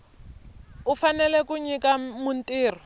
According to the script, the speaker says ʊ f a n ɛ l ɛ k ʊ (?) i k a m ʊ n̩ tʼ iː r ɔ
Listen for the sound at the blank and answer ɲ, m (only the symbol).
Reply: ɲ